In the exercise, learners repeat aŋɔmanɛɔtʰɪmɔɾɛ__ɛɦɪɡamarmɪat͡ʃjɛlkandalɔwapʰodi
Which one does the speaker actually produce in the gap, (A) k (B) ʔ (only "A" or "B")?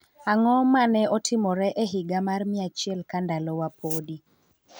B